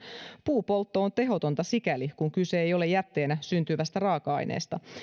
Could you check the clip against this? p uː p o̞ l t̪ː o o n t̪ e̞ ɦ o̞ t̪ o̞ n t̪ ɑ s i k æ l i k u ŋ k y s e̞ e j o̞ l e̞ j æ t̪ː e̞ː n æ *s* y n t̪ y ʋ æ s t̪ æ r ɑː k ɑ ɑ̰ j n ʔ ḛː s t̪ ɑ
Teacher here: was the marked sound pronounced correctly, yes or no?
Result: yes